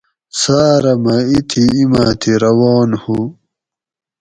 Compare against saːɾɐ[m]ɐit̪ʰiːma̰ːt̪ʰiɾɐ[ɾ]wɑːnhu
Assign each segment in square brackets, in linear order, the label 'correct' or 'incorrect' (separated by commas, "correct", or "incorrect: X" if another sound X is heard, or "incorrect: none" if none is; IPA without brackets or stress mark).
correct, incorrect: none